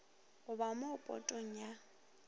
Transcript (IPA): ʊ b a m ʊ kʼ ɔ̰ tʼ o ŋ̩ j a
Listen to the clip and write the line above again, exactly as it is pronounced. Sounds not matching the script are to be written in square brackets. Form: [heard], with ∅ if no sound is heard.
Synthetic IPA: ʊ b a m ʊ [pʼ] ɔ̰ tʼ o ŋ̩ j a